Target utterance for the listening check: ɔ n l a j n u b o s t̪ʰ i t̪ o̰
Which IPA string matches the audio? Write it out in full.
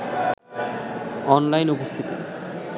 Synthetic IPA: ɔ n l a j n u p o s t̪ʰ i t̪ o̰